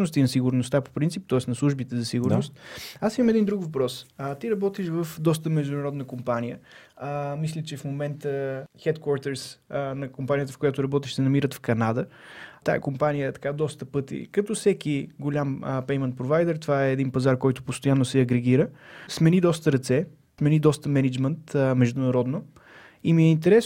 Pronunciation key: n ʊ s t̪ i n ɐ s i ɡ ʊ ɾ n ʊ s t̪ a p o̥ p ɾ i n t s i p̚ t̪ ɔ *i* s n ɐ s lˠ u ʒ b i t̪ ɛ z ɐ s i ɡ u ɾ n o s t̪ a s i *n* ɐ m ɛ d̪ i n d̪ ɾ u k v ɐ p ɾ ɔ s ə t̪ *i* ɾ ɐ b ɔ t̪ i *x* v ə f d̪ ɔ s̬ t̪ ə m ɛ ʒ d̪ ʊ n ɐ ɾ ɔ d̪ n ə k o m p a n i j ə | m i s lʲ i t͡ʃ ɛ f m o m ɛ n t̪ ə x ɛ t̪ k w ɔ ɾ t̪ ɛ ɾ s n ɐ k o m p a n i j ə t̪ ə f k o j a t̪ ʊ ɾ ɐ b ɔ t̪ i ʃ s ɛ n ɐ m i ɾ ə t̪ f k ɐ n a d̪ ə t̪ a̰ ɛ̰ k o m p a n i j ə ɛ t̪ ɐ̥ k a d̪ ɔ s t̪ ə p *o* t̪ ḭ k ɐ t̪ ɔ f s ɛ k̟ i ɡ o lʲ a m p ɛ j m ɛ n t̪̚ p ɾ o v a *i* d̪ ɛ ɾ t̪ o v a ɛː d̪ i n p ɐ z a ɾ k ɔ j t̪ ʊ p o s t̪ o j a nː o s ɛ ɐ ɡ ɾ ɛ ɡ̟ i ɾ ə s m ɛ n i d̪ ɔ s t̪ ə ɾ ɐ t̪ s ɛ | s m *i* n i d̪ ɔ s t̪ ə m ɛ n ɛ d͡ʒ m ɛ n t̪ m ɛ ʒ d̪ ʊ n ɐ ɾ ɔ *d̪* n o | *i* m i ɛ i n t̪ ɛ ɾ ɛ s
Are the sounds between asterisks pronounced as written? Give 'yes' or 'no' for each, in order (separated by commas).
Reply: no, no, yes, no, no, no, no, yes, yes